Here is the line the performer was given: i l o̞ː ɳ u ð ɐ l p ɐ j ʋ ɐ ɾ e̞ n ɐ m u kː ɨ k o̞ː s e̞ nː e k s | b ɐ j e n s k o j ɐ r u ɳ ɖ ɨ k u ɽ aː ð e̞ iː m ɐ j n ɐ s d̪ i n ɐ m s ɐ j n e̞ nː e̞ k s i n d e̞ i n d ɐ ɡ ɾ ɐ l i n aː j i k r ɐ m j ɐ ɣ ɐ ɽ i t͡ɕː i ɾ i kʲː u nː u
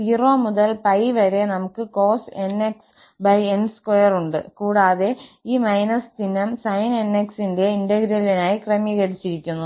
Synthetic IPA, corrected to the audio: i r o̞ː m u ð ɐ l p ɐ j ʋ ɐ ɾ e̞ n ɐ m u kː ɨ k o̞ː s e̞ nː e k s | b ɐ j e n s k o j ɐ r u ɳ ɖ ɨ k uː ɽ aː ð e̞ iː m ɐ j n ɐ s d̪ i n ɐ m s ɐ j n e̞ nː e̞ k s i n d e̞ i n d ɐ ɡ ɾ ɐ l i n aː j i k r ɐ m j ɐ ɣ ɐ ɽ i t͡ɕː i ɾ i kʲː u nː u